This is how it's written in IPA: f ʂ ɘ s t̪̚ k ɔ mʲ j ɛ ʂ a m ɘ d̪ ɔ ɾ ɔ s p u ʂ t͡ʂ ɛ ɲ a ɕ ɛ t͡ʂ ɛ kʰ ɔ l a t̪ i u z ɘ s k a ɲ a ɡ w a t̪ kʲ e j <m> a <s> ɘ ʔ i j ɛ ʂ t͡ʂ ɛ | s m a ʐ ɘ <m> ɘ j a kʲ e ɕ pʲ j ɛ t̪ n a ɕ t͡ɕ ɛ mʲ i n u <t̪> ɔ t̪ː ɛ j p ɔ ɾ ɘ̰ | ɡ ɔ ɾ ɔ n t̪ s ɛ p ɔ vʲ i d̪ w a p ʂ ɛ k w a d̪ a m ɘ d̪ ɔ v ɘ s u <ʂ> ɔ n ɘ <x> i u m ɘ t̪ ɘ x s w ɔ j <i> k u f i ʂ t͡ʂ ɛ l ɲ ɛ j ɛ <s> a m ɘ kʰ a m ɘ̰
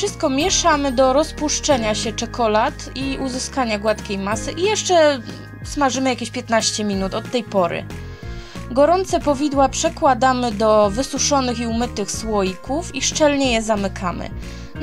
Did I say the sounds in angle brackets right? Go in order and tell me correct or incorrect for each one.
correct, correct, correct, correct, correct, correct, correct, incorrect: z

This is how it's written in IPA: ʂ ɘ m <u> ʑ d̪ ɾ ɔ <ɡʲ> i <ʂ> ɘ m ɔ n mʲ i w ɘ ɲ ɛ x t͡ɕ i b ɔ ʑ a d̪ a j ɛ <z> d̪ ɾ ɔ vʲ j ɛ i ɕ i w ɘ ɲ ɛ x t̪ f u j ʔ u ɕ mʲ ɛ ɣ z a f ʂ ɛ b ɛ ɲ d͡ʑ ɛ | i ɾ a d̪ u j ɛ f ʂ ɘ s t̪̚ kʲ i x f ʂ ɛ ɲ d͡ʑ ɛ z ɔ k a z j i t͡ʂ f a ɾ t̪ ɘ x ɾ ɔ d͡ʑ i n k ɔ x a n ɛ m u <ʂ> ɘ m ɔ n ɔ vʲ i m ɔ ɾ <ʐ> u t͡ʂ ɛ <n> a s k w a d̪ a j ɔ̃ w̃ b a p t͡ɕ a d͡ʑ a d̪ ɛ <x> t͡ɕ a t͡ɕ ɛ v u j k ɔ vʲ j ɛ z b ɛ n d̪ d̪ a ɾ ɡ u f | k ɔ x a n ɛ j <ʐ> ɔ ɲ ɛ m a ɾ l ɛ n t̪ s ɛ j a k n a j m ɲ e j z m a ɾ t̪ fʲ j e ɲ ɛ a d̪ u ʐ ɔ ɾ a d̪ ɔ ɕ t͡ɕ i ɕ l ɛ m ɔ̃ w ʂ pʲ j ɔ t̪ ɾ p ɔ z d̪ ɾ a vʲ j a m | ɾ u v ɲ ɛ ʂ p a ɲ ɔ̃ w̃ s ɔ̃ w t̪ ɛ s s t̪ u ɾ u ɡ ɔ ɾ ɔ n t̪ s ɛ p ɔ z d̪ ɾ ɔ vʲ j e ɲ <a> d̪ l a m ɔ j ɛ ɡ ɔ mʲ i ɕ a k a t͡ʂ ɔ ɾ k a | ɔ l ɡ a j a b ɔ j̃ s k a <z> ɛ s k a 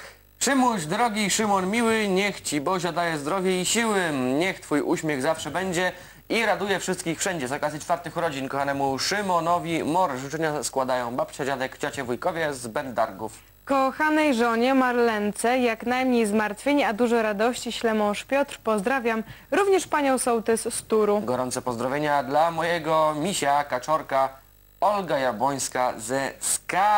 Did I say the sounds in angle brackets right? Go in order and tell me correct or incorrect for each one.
correct, correct, correct, correct, correct, correct, incorrect: ɲ, incorrect: k, correct, correct, correct

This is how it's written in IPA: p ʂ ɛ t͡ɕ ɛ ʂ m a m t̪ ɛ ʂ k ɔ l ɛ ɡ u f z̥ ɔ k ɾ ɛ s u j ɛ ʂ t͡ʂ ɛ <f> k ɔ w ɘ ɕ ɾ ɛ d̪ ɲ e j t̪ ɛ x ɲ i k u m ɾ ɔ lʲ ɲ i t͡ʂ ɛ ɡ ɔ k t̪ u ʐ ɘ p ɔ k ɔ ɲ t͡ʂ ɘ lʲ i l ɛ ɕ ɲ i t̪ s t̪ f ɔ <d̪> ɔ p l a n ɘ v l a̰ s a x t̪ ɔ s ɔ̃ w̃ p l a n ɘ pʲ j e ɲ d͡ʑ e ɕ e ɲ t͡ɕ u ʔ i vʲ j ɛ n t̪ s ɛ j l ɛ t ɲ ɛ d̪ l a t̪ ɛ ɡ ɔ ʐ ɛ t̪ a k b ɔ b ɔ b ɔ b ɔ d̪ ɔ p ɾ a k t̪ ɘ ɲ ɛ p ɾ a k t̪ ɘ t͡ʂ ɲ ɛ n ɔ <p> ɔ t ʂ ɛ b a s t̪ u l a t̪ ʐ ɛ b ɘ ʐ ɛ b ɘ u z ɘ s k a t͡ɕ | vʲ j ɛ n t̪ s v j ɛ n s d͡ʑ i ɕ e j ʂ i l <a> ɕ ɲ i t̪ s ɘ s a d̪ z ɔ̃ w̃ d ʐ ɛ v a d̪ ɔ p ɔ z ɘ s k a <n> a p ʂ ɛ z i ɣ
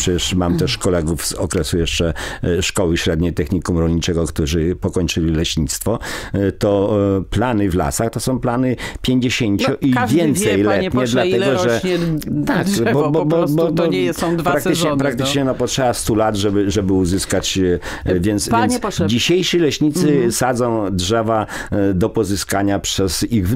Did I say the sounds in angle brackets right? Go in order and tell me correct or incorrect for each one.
incorrect: ʂ, incorrect: t̪, correct, incorrect: ɛ, incorrect: ɲ

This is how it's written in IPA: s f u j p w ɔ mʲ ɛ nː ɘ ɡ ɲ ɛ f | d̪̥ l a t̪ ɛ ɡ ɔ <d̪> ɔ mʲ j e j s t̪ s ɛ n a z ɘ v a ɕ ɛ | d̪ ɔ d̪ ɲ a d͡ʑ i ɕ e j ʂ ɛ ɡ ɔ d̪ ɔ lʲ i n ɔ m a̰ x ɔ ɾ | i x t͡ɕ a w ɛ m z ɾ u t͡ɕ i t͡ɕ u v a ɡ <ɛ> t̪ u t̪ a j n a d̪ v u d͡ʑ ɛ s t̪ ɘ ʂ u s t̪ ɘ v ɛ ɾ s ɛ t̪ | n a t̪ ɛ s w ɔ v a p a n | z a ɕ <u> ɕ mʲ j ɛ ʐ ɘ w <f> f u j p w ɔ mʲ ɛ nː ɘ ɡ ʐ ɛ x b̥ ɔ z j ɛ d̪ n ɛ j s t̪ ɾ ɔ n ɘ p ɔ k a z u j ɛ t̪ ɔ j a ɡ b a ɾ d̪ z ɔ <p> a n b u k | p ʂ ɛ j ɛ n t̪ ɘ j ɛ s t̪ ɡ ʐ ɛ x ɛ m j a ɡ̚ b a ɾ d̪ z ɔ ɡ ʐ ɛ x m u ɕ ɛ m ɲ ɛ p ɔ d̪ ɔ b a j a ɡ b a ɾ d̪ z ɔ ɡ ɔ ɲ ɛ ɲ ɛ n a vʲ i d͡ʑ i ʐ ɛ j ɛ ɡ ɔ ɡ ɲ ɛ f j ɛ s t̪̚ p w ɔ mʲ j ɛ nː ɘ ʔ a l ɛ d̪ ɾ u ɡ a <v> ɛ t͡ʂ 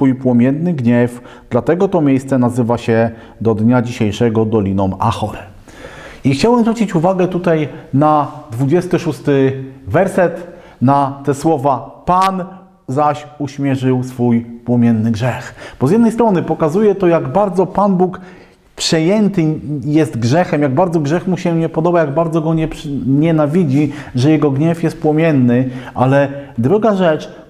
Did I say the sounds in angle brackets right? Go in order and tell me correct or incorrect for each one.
incorrect: t̪, correct, correct, incorrect: s, correct, incorrect: ʐ

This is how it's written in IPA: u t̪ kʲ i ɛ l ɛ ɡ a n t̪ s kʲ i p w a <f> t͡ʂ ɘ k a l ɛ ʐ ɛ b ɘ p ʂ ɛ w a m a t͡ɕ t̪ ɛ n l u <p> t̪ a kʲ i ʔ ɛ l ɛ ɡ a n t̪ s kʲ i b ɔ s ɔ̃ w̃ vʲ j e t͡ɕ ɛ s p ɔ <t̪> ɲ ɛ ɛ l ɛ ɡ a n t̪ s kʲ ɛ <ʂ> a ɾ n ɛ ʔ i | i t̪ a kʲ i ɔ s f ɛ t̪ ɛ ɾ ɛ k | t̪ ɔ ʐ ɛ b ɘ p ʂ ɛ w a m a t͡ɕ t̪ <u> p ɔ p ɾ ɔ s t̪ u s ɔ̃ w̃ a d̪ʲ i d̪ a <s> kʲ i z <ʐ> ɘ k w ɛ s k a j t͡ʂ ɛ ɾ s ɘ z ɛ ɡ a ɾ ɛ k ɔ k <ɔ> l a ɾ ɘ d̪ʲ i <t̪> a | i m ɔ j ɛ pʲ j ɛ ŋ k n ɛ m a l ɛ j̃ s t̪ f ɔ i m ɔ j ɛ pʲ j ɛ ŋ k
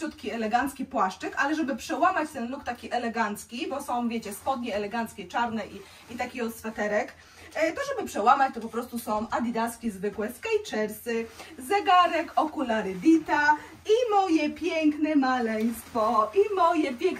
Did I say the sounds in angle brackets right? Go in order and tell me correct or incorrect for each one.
incorrect: ʂ, incorrect: k, incorrect: d̪, incorrect: t͡ʂ, incorrect: ɔ, correct, incorrect: v, incorrect: u, correct

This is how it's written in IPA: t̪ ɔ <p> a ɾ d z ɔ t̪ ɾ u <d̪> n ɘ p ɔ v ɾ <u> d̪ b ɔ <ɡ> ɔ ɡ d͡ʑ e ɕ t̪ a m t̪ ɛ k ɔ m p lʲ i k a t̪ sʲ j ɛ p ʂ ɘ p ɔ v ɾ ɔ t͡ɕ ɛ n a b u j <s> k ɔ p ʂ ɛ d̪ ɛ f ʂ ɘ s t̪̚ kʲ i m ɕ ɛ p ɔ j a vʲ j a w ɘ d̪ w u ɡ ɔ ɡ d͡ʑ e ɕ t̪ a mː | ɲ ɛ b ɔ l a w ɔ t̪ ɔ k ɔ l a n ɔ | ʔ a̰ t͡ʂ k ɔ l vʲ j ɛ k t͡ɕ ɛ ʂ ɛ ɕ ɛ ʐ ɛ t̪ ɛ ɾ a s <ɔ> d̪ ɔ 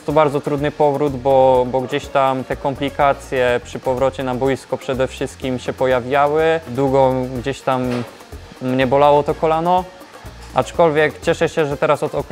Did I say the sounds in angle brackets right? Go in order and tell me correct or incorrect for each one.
incorrect: b, correct, correct, incorrect: b, correct, correct

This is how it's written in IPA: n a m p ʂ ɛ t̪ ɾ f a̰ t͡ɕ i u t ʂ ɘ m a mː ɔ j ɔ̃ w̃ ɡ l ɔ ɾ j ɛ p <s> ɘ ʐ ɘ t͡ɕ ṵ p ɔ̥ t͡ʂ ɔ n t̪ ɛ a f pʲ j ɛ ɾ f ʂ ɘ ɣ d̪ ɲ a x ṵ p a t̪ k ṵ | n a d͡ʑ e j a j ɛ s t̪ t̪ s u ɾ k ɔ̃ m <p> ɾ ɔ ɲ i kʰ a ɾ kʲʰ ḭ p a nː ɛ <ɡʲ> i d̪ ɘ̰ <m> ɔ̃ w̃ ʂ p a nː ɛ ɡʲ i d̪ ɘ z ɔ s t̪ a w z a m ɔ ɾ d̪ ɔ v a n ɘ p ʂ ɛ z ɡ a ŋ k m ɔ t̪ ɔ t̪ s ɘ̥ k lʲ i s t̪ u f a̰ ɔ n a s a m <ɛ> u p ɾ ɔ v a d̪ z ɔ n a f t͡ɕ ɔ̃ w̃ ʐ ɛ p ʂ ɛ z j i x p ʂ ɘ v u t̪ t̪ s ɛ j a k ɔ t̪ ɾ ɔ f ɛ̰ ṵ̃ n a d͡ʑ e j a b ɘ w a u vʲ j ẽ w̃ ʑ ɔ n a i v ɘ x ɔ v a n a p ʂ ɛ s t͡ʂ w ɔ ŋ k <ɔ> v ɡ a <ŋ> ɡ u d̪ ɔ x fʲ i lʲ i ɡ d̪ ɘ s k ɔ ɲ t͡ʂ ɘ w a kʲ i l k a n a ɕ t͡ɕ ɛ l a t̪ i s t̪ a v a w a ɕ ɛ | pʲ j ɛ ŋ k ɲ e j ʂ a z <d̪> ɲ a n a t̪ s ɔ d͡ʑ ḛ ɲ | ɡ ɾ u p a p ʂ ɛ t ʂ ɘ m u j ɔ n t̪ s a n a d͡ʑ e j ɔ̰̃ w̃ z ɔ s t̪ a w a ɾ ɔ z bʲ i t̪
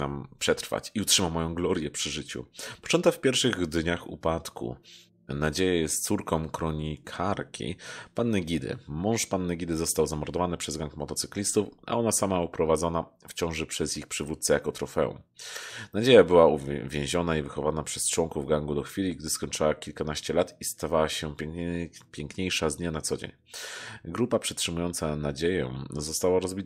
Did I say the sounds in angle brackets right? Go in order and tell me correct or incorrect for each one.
incorrect: ʂ, incorrect: k, correct, correct, incorrect: a, incorrect: u, correct, correct

